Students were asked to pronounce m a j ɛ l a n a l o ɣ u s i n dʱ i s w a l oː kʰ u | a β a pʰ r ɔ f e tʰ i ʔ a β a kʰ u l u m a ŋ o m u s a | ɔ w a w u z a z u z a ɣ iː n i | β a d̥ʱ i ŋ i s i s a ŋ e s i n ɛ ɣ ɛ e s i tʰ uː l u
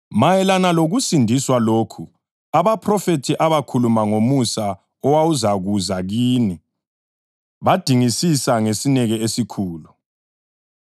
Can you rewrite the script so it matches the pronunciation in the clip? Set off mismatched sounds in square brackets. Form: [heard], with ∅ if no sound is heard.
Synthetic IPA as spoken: m a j ɛ l a n a l o ɣ u s i n dʱ i s w a l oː kʰ u | a β a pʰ r ɔ f e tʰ i ʔ a β a kʰ u l u m a ŋ o m u s a | ɔ w a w u z a [ɣ] u z a ɣ iː n i | β a d̥ʱ i ŋ i s i s a ŋ e s i n ɛ ɣ ɛ e s i [kʰ] uː l u

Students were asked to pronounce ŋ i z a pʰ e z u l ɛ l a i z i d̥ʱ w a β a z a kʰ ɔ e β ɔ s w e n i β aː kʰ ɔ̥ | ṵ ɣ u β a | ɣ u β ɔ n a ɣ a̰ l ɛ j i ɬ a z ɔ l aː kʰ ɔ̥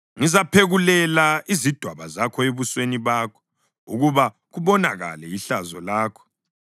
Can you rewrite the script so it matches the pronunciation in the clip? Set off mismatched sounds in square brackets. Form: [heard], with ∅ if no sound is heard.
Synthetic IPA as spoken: ŋ i z a pʰ e [ɣ] u l ɛ l a i z i d̥ʱ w a β a z a kʰ ɔ e β [u] s w e n i β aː kʰ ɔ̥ | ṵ ɣ u β a | ɣ u β ɔ n a ɣ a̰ l ɛ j i ɬ a z ɔ l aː kʰ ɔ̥

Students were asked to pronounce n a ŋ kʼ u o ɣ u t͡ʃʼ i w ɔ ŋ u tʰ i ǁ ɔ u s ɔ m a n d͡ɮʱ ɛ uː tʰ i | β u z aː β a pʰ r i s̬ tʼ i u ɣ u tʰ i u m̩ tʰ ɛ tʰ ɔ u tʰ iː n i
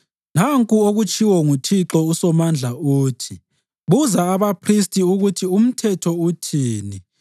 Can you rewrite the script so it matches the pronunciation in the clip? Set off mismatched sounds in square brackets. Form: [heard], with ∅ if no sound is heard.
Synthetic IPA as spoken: n a ŋ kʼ u o ɣ u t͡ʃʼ i w ɔ ŋ u tʰ i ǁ ɔ u s ɔ m a n d͡ɮʱ [a] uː tʰ i | β u z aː β a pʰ r i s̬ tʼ i u ɣ u tʰ i u m̩ tʰ ɛ tʰ ɔ u tʰ iː n i

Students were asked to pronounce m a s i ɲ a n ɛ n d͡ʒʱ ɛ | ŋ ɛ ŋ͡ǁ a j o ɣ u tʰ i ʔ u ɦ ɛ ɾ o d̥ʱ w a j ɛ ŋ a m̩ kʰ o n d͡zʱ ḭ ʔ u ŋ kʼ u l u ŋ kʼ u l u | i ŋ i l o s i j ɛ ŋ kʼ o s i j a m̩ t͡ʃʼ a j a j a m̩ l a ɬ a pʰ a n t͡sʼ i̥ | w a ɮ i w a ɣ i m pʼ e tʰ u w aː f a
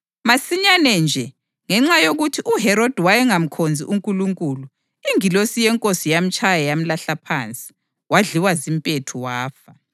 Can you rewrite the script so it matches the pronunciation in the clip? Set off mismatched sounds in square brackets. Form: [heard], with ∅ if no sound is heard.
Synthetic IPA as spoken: m a s i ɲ a n ɛ n d͡ʒʱ ɛ | ŋ ɛ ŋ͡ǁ a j o ɣ u tʰ i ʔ u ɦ ɛ ɾ o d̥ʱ w a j ɛ ŋ a m̩ kʰ o n d͡zʱ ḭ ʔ u ŋ kʼ u l u ŋ kʼ u l u | i ŋ i l o s i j ɛ ŋ kʼ o s i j a m̩ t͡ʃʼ a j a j a m̩ l a ɬ a pʰ a n t͡sʼ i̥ | w a ɮ i w a [z] i m pʼ e tʰ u w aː f a

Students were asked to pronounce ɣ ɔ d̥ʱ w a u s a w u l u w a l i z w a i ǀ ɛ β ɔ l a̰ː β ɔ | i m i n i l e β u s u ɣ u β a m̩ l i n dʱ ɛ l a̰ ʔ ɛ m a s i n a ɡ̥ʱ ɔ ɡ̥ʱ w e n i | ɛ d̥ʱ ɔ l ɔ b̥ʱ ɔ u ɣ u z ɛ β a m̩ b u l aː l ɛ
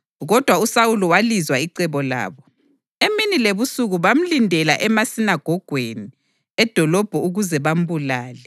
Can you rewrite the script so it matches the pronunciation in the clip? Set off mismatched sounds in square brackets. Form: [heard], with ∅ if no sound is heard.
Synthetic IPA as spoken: ɣ ɔ d̥ʱ w a u s a w u l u w a l i z w a i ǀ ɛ β ɔ l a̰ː β ɔ | [e] m i n i l e β u s u ɣ u β a m̩ l i n dʱ ɛ l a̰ ʔ ɛ m a s i n a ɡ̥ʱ ɔ ɡ̥ʱ w e n i | ɛ d̥ʱ ɔ l ɔ b̥ʱ ɔ u ɣ u z ɛ β a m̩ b u l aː l ɛ

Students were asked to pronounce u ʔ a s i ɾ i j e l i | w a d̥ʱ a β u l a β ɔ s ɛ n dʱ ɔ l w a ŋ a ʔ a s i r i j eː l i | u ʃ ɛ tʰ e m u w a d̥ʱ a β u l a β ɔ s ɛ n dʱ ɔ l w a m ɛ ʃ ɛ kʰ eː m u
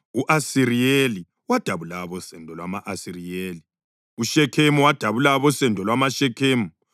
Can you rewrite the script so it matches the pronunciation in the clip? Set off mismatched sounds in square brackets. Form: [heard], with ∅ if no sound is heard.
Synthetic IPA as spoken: u ʔ a s i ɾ i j e l i | w a d̥ʱ a β u l a β ɔ s ɛ n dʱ ɔ l w a [m] a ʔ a s i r i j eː l i | u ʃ ɛ [kʰ] e m u w a d̥ʱ a β u l a β ɔ s ɛ n dʱ ɔ l w a m [a] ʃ ɛ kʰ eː m u

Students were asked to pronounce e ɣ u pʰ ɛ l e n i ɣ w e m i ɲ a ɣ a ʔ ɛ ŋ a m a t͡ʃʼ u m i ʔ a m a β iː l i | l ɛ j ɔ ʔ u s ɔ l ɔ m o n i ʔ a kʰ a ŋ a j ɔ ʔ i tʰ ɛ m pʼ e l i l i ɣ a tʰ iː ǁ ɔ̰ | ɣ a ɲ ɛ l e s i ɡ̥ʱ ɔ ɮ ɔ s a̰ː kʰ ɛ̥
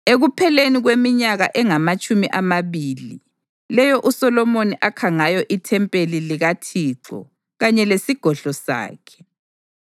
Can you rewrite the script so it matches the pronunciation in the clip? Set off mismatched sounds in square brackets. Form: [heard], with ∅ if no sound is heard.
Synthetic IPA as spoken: e ɣ u pʰ ɛ l e n i ɣ w e m i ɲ a ɣ a ʔ ɛ ŋ a m a t͡ʃʼ u m i ʔ a m a β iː l i | l ɛ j ɔ ʔ u s ɔ l ɔ m o n i ʔ a kʰ a ŋ a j ɔ ʔ i tʰ ɛ m pʼ e l i l i ɣ a tʰ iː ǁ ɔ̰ | ɣ a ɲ ɛ l e s i ɡ̥ʱ ɔ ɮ ɔ s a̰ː kʰ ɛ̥

